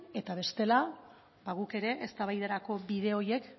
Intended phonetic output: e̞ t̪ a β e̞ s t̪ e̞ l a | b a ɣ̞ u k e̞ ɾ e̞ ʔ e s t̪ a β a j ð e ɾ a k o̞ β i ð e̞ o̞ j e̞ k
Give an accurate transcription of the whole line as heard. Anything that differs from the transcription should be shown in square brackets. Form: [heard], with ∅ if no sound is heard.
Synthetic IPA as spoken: e̞ t̪ a β e̞ s t̪ e̞ l a | b a ɣ̞ u k e̞ ɾ e̞ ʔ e s t̪ a β a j ð e ɾ a k o̞ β i ð e̞ o̞ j e̞ k